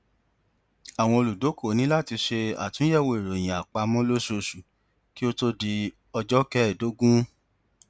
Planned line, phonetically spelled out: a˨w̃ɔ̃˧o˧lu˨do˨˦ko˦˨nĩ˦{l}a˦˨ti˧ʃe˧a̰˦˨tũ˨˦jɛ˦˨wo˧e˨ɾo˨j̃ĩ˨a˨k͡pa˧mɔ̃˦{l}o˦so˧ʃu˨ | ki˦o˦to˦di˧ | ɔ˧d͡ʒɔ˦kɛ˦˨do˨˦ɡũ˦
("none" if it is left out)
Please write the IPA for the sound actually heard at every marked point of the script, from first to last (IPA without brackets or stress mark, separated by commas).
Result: l, l